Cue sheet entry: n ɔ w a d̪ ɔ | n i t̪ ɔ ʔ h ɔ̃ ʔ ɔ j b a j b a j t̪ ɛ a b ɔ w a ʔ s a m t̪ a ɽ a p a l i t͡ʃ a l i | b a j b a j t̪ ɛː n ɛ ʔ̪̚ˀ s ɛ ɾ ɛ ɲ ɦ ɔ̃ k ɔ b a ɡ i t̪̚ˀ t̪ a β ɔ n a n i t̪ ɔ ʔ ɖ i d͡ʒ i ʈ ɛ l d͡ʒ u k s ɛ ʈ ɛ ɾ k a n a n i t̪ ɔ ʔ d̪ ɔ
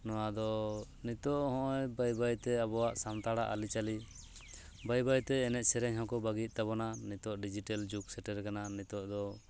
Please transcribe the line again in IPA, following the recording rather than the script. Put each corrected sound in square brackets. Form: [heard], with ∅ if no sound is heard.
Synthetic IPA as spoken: n ɔ w a d̪ ɔ | n i t̪ ɔ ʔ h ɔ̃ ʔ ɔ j b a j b a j t̪ ɛ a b ɔ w a ʔ s a m t̪ a ɽ a [ʔ] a l i t͡ʃ a l i | b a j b a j t̪ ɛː n ɛ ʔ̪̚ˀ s ɛ ɾ ɛ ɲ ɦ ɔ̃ k ɔ b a ɡ i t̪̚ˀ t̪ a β ɔ n a n i t̪ ɔ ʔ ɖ i d͡ʒ i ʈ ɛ l d͡ʒ u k s ɛ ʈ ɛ ɾ k a n a n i t̪ ɔ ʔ d̪ ɔ